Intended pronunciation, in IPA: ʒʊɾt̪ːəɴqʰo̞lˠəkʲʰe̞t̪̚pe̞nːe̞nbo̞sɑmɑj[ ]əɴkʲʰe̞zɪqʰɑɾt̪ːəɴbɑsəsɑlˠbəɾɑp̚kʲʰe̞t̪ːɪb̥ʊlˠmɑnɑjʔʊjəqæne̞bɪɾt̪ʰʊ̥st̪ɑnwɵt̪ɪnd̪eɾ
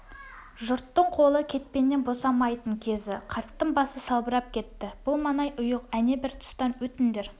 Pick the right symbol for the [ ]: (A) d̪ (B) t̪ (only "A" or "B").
B